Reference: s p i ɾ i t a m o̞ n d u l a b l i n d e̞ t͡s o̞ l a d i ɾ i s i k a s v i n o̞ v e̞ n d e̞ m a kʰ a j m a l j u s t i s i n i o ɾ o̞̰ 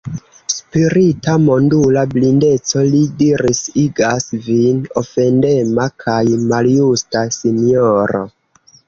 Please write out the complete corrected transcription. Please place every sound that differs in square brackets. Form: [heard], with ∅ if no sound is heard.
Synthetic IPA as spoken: s p i ɾ i t a m o̞ n d u l a b l i n d e̞ t͡s o̞ l [i] d i ɾ i s i [ɡ] a s v i n o̞ [f] e̞ n d e̞ m a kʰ a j m a l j u s t [a] s i n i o ɾ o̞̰